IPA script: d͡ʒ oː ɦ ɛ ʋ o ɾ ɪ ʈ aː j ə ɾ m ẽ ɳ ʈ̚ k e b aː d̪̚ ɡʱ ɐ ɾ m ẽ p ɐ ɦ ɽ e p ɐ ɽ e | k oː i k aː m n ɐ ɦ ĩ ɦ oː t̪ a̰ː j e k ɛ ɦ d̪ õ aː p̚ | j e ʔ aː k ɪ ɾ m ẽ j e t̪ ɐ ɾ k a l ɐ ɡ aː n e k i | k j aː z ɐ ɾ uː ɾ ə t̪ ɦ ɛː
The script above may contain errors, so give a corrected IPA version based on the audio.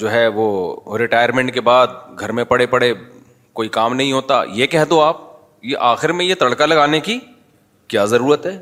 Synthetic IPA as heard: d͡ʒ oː ɦ ɛ ʋ o ɾ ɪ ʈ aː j ə ɾ m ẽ ɳ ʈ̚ k e b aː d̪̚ ɡʱ ɐ ɾ m ẽ p ɐ ɽ e p ɐ ɽ e | k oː i k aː m n ɐ ɦ ĩ ɦ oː t̪ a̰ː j e k ɛ ɦ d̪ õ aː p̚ | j e ʔ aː x ɪ ɾ m ẽ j e t̪ ɐ ɽ k a l ɐ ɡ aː n e k i | k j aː z ɐ ɾ uː ɾ ə t̪ ɦ ɛː